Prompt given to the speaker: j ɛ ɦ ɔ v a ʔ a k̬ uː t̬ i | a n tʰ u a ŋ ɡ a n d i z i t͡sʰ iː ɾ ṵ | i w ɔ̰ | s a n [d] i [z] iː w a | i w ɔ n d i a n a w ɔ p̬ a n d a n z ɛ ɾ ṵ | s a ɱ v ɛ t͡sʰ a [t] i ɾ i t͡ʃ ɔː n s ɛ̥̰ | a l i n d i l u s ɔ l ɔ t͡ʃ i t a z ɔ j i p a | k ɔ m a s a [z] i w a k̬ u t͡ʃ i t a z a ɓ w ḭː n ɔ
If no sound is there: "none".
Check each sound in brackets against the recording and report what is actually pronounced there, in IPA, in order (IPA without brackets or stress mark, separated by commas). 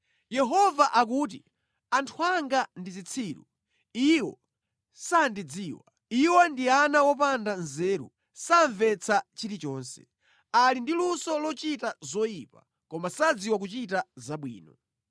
d, d͡z, t͡ʃ, d͡z